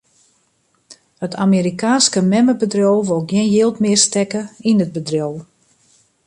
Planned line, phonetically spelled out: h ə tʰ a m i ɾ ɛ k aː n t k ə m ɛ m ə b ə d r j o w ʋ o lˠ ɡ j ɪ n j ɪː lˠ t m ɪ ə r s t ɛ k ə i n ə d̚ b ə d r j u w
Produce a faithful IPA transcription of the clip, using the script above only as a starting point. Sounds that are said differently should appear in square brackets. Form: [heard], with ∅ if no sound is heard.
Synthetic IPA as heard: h ə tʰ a m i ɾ [i] k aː n [s] k ə m ɛ m ə b ə d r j o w ʋ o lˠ ɡ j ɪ n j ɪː lˠ t m ɪ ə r s t ɛ k ə i n ə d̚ b ə d r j [o] w

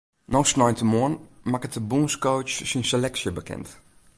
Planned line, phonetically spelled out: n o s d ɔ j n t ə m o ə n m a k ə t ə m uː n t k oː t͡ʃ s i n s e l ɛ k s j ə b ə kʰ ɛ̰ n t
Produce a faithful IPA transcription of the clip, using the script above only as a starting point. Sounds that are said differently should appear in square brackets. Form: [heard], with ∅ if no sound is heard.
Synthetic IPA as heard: n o s [n] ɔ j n t ə m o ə n m a k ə t ə [b] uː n [s] k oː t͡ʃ s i n s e l ɛ k s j ə b ə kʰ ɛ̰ n t

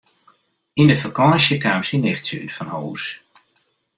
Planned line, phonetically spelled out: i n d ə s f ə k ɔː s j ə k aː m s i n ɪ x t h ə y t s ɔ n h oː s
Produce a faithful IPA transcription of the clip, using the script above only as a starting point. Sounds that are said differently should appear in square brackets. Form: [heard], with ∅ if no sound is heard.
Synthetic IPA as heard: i n d ə [∅] f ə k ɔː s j ə k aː m s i n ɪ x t [s] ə y t [f] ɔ n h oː s

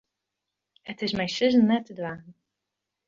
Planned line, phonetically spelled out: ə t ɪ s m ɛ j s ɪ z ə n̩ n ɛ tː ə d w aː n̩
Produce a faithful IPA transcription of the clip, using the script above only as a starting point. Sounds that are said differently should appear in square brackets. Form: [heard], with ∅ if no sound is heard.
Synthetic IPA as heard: ə t ɪ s m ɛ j s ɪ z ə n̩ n ɛ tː ə d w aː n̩

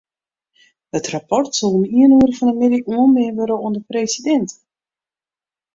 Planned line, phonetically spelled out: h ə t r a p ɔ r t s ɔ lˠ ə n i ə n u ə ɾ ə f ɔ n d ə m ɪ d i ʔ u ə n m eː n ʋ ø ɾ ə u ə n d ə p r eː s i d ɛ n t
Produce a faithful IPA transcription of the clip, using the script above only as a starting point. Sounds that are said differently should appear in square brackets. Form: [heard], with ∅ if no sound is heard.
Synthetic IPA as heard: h ə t r a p ɔ r t s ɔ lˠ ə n i ə n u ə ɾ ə f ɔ n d ə m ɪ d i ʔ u ə n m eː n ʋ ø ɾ ə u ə n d ə p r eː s i d ɛ n t

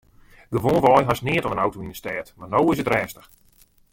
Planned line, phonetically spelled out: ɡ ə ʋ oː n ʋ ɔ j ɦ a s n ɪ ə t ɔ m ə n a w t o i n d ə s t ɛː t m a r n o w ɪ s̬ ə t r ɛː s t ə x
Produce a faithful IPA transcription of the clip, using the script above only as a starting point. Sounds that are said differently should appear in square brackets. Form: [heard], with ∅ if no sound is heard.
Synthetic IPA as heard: ɡ ə ʋ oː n ʋ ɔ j ɦ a s n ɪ ə t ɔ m ə n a w t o i n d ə s t ɛː t m a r n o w ɪ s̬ ə t r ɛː s t ə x

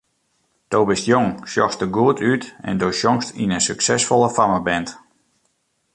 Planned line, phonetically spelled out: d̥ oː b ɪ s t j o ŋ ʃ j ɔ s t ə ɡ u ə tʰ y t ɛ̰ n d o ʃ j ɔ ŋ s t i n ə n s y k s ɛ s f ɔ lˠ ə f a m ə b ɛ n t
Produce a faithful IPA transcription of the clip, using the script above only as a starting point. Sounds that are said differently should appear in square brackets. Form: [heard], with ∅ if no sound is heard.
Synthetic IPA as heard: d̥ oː b ɪ s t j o ŋ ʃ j ɔ s t ə ɡ u ə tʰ y t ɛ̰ n d o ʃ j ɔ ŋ s t i n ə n s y k s ɛ s f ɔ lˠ ə f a m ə b ɛ n t

